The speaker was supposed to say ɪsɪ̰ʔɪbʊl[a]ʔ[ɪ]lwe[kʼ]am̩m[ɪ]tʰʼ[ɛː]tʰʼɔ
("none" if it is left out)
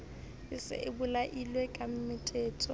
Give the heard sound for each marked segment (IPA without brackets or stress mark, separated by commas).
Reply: a, i, kʼ, ɪ, ɛː